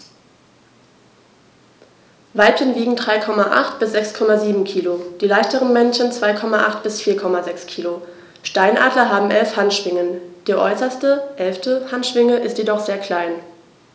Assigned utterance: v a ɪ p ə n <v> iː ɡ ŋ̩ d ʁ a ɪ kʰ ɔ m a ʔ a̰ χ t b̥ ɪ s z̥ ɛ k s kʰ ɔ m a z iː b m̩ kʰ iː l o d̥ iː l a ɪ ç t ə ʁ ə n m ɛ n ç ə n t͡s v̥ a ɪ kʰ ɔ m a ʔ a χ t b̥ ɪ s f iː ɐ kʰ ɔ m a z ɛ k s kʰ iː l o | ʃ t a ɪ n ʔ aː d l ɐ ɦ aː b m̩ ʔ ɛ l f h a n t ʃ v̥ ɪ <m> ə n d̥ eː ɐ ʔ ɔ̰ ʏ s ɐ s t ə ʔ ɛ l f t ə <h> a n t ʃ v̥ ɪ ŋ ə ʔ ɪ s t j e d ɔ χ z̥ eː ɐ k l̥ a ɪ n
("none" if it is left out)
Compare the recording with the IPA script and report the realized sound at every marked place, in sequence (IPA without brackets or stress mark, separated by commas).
v, ŋ, h